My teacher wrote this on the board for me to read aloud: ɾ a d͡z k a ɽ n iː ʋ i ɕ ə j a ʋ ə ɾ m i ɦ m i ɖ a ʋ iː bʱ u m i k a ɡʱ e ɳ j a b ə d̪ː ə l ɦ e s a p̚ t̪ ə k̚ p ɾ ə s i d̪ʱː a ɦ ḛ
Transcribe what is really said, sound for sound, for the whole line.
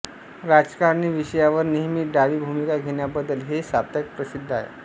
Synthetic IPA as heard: ɾ a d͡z k a ɾ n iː ʋ i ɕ ə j a ʋ ə ɾ n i ɦ m i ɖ a ʋ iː bʱ u m i k a ɡʱ e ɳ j a b ə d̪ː ə l ɦ e s a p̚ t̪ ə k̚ p ɾ ə s i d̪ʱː a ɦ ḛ